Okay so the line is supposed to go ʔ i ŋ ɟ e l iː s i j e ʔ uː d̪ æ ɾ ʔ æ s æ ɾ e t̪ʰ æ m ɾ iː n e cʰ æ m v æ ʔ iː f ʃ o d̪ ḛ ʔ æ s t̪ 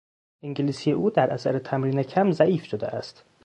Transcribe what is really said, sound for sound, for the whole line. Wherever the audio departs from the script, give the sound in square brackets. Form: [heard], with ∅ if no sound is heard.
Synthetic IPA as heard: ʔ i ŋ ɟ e l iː s i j e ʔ uː d̪ æ ɾ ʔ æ s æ ɾ e t̪ʰ æ m ɾ iː n e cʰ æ m [z] æ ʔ iː f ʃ o d̪ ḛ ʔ æ s t̪